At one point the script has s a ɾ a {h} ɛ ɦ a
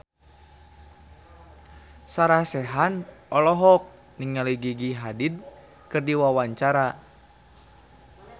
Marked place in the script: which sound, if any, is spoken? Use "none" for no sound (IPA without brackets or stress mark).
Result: s